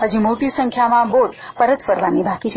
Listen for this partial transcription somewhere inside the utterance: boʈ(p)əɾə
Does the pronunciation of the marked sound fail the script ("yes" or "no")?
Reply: no